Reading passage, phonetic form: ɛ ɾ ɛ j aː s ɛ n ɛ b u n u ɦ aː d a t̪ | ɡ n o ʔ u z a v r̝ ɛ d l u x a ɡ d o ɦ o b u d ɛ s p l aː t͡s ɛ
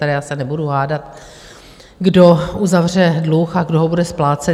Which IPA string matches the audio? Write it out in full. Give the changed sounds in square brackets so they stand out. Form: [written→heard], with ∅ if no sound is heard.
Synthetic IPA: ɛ ɾ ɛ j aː s ɛ n ɛ b u [n→d] u ɦ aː d a t̪ | ɡ [n→d] o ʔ u z a v r̝ ɛ d l u x a ɡ d o ɦ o b u d ɛ s p l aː t͡s ɛ